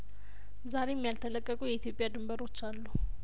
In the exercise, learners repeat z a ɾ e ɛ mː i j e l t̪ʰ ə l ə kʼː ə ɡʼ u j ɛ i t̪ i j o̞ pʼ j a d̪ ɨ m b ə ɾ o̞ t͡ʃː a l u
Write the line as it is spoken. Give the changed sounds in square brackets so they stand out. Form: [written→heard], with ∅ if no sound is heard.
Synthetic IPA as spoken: z a ɾ e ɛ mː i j [e→a] l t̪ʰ ə l ə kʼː ə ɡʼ u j ɛ i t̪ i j o̞ pʼ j a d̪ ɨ m b ə ɾ o̞ t͡ʃː a [l→lː] u